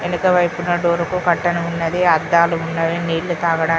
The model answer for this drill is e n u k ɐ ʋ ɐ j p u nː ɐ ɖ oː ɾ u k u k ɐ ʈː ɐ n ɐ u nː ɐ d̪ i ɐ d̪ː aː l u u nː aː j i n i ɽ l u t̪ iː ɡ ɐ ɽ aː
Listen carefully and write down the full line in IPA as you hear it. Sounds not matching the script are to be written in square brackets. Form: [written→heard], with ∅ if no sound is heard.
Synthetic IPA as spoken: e n u k ɐ ʋ ɐ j p u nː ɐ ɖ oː ɾ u k u k ɐ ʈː ɐ n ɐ u nː ɐ d̪ i ɐ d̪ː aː l u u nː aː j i n [i→iː] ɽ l u t̪ [iː→aː] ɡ ɐ ɽ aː